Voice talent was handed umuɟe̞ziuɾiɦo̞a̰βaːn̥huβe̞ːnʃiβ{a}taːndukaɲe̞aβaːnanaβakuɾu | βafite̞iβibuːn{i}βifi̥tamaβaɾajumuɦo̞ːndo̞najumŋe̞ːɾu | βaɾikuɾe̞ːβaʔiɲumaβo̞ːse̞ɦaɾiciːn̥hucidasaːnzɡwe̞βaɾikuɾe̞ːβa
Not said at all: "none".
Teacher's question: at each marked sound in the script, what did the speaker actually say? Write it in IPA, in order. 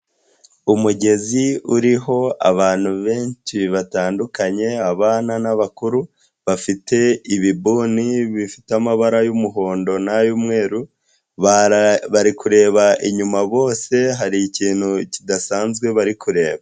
a, i

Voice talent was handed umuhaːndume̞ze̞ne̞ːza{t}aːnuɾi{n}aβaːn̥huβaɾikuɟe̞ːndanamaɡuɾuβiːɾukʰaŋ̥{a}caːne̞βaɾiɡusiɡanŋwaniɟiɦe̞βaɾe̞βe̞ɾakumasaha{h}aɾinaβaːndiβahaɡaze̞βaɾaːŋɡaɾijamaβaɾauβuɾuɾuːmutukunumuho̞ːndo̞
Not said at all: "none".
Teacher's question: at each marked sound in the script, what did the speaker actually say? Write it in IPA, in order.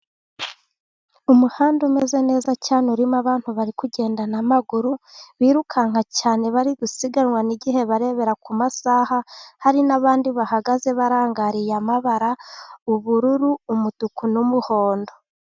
c, m, a, h

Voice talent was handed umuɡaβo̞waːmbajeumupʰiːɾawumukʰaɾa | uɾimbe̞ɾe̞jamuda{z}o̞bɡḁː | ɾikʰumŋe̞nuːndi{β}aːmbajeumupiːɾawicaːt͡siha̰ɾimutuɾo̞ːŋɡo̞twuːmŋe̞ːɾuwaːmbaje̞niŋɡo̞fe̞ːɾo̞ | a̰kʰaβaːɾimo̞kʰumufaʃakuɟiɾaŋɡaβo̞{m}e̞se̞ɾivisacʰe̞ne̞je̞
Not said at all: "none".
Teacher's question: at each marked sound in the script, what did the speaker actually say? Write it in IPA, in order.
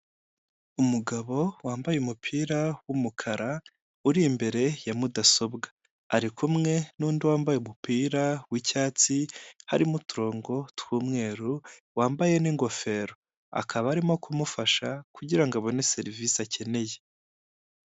s, w, n

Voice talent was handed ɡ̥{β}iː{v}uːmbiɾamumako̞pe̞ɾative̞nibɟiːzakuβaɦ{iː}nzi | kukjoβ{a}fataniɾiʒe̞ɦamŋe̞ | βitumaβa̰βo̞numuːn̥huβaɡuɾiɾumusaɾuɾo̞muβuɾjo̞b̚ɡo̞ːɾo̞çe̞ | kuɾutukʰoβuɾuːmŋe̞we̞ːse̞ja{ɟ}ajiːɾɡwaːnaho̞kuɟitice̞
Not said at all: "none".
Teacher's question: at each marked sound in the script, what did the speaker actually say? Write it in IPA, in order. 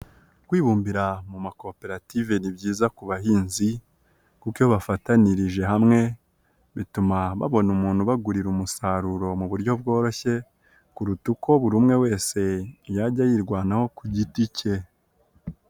w, β, iː, a, ɟ

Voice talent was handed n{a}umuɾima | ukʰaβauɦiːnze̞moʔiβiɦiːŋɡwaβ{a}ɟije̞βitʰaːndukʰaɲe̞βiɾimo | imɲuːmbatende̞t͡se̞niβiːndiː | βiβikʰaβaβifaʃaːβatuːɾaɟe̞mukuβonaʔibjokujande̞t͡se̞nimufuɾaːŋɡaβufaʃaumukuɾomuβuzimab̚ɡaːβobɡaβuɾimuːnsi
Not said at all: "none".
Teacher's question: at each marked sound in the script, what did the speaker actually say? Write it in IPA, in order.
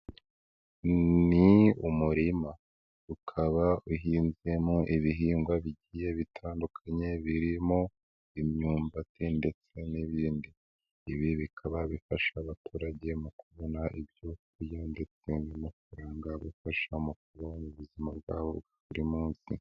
i, i

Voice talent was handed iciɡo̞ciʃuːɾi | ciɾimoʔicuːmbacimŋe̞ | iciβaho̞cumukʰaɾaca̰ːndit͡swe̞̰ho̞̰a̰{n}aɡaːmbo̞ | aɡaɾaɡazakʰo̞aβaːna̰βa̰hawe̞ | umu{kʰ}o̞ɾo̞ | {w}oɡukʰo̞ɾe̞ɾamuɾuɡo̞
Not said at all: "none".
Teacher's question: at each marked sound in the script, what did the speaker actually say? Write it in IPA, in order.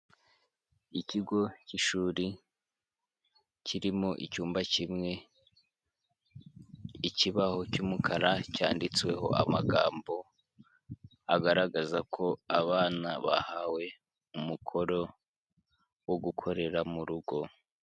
m, kʰ, w

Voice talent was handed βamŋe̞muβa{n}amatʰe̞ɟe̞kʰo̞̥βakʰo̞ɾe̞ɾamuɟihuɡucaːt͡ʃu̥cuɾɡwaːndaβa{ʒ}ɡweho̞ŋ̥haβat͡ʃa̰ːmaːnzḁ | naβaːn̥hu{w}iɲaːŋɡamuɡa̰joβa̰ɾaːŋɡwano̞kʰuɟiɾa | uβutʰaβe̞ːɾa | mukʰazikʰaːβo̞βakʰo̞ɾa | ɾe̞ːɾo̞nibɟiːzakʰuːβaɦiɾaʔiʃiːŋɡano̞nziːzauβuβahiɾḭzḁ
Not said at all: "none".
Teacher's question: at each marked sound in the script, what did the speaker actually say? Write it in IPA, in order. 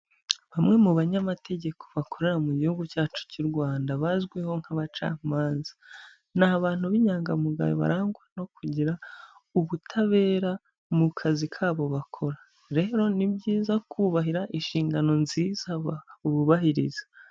ɲ, z, β

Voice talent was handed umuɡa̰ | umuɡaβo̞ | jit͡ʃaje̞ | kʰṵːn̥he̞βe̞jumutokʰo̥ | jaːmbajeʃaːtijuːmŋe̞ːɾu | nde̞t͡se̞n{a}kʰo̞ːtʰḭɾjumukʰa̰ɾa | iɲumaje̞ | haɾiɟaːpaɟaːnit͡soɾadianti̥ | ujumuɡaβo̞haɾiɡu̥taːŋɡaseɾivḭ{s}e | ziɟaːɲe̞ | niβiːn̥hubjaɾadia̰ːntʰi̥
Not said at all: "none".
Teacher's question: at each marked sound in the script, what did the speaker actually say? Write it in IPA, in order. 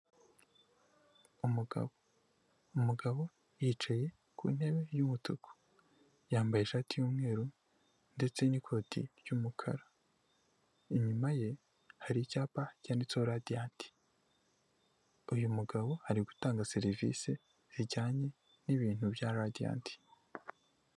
i, s

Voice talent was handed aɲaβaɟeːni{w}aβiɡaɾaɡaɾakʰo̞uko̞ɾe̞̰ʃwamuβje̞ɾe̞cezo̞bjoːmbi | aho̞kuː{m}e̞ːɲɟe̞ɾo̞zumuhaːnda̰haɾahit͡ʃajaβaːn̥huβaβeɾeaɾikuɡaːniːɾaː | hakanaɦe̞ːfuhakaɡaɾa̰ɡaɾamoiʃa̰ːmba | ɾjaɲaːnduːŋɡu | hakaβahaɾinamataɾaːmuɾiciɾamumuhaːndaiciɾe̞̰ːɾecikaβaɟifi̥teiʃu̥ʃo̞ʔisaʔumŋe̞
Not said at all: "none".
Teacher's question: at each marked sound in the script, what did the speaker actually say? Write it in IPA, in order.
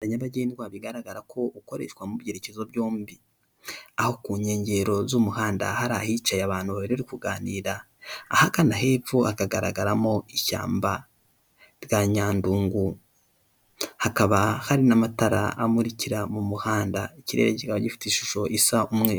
w, ɲ

